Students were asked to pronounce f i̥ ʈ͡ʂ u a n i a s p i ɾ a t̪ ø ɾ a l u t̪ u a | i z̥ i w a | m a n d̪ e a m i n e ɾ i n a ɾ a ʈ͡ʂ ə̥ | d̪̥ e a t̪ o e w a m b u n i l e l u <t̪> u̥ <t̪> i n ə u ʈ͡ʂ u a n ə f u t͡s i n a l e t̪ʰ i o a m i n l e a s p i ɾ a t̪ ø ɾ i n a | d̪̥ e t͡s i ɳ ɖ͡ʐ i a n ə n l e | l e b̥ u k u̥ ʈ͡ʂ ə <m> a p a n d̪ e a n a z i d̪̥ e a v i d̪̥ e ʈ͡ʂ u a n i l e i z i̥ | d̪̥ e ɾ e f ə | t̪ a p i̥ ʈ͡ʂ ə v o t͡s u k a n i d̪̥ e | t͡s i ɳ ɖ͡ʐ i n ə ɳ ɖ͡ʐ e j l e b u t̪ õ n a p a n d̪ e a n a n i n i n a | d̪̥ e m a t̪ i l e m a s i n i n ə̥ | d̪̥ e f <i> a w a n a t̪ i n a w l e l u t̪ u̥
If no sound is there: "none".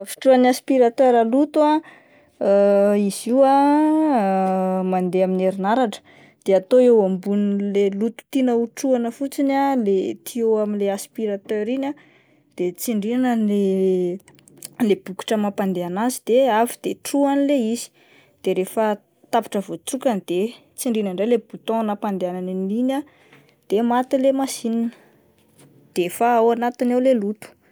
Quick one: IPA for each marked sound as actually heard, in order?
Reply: t̪, t̪, m, a

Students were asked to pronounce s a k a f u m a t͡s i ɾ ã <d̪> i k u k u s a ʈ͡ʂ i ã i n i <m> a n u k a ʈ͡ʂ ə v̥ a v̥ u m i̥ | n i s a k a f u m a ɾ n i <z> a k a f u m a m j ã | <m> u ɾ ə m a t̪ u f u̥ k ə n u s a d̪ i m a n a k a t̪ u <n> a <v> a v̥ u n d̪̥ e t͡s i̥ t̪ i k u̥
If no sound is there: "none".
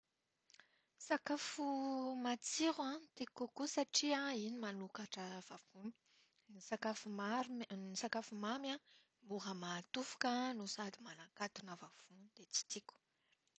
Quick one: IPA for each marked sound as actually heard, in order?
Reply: t̪, m, s, m, n, v

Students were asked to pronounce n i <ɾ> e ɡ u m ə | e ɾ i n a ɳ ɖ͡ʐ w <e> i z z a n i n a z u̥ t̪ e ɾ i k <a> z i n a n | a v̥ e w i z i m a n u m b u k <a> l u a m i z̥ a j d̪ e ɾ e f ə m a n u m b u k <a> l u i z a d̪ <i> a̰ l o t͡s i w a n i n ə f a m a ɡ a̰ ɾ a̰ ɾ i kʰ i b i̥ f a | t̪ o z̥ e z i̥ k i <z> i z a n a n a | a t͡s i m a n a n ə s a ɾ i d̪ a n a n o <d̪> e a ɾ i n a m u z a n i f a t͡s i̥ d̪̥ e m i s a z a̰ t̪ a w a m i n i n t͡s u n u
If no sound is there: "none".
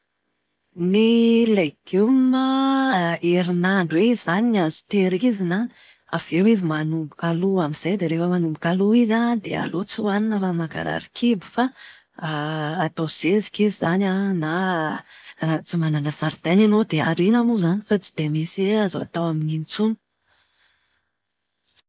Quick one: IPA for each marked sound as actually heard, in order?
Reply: l, e, i, a, a, e, z, d̪

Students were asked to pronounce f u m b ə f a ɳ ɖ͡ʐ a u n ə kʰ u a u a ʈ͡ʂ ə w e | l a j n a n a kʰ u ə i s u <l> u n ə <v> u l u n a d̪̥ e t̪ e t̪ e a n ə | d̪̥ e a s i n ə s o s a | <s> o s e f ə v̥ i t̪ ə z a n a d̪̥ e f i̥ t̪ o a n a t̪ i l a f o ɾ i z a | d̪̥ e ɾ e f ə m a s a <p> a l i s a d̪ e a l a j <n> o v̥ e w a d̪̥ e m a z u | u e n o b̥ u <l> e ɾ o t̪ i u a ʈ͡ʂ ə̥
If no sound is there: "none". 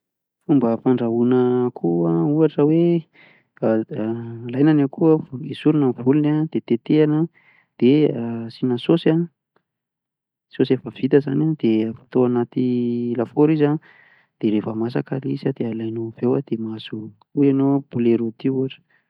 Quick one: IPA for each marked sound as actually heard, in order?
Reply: ɾ, v, s, k, n, l

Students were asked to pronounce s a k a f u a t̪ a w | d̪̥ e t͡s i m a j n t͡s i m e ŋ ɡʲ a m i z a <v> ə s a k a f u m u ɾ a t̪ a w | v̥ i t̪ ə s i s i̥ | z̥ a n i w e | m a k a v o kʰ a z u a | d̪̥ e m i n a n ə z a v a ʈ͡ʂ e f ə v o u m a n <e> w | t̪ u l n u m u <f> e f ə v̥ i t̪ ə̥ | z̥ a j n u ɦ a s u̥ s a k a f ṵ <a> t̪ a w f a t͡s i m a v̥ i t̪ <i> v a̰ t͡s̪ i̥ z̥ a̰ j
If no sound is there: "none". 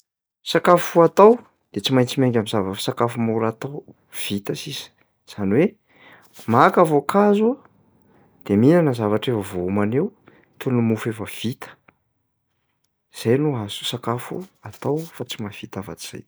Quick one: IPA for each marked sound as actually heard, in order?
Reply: v, e, f, a, a

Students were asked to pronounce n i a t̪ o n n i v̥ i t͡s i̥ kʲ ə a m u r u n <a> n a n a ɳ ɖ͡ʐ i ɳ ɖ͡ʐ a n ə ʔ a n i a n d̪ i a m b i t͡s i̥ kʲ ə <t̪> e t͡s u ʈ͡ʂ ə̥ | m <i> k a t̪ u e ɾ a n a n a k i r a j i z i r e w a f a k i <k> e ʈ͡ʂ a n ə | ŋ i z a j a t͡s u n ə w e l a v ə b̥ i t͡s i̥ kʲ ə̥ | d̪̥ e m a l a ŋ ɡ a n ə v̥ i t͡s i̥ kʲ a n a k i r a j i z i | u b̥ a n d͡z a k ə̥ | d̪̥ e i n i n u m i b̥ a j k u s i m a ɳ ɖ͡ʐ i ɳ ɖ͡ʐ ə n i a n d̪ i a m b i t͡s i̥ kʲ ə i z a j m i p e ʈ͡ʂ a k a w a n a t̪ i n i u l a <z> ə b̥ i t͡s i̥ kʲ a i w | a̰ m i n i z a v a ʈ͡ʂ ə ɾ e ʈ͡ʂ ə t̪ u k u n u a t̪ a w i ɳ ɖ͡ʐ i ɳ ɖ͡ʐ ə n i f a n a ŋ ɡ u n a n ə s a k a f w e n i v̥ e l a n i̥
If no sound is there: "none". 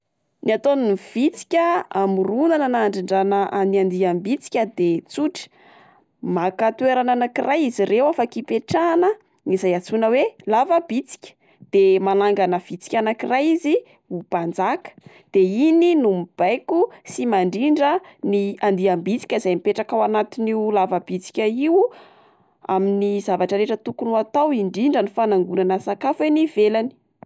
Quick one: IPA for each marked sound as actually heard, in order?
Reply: a, d̪, a, p, v

